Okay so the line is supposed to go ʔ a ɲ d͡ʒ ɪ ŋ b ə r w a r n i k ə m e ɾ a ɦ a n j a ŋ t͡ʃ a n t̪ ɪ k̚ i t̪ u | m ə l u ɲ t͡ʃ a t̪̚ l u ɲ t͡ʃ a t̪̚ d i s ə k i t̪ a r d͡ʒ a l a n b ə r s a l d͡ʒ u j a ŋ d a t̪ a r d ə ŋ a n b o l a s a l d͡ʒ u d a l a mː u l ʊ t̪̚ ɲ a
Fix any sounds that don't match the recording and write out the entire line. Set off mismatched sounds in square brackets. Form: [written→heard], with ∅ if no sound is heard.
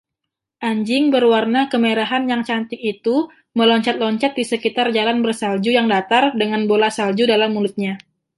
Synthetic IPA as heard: ʔ a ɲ d͡ʒ ɪ ŋ b ə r w a r n [i→a] k ə m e ɾ a ɦ a n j a ŋ t͡ʃ a n t̪ ɪ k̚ i t̪ u | m ə l [u→ɔ] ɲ t͡ʃ a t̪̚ l [u→ɔ] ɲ t͡ʃ a t̪̚ d i s ə k i t̪ a r d͡ʒ a l a n b ə r s a l d͡ʒ u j a ŋ d a t̪ a r d ə ŋ a n b o l a s a l d͡ʒ u d a l a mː u l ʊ t̪̚ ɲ a